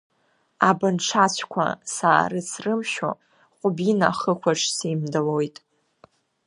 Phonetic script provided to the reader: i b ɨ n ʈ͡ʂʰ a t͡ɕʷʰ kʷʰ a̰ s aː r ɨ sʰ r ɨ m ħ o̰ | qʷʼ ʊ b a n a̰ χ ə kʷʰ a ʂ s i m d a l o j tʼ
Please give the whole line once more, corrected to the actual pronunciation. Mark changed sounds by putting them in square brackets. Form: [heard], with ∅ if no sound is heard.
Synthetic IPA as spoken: [a] b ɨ n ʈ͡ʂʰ a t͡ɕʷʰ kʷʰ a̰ s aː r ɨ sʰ r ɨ m [ʃ] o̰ | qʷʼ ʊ b [i] n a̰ χ ə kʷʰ a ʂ s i m d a l o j tʼ